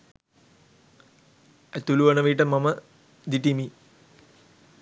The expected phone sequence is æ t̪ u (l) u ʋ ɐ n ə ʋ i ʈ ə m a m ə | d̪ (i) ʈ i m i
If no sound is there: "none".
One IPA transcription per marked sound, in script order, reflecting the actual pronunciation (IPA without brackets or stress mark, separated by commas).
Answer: l, i